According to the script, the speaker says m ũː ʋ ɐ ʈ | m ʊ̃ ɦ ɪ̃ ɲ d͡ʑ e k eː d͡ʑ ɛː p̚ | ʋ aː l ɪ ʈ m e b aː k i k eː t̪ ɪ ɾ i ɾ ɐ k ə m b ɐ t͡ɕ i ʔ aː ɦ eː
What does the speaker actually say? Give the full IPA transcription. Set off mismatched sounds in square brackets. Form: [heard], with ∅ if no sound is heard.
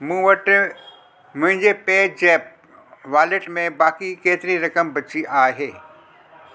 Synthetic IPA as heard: m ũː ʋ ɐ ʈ | m ʊ̃ ɦ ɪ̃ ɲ d͡ʑ e [p] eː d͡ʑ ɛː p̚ | ʋ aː l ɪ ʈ m [ẽ] b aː k i k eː t̪ ɪ ɾ i ɾ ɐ k ə m b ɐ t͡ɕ i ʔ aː ɦ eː